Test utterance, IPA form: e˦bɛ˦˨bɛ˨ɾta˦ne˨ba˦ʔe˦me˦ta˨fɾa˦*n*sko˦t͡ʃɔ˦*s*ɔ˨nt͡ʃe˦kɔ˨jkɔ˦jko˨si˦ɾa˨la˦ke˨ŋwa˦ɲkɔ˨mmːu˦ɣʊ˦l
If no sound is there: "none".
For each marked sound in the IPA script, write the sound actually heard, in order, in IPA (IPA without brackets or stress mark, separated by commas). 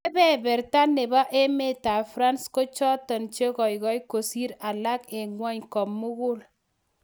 n, t